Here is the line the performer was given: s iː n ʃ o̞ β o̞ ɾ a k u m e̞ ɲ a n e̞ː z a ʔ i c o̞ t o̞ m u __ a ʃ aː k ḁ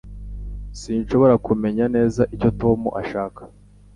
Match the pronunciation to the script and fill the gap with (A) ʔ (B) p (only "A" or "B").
A